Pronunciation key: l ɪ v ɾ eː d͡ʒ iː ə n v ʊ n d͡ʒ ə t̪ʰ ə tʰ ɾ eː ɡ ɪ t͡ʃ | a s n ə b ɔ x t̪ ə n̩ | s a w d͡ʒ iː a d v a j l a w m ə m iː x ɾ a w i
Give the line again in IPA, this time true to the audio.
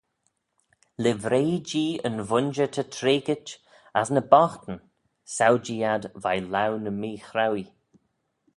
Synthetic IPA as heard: l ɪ v ɾ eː d͡ʒ iː ə n v ʊ n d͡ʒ ə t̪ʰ ə tʰ ɾ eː ɡ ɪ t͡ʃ | a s n ə b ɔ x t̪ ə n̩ | s a w d͡ʒ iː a d v a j l a w n ə m iː x ɾ a w i